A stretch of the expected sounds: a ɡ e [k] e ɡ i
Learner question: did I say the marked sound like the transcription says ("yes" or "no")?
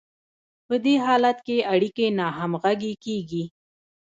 yes